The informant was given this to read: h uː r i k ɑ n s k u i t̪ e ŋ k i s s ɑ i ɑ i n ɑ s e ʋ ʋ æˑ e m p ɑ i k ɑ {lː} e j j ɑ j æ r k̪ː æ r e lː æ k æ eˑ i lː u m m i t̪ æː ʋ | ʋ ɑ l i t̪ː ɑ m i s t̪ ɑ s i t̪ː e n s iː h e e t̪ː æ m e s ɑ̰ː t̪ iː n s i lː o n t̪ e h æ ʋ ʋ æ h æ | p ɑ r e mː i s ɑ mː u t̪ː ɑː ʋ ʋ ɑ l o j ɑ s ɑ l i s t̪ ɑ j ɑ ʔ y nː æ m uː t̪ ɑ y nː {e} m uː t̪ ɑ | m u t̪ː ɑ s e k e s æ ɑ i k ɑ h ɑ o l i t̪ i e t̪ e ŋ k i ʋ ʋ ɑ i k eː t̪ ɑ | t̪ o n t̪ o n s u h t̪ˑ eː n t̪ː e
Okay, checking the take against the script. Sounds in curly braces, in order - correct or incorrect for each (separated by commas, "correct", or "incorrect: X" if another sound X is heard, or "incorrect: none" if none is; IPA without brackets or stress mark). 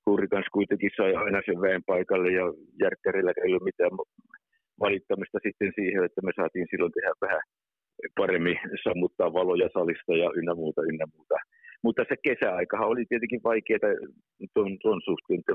correct, incorrect: æ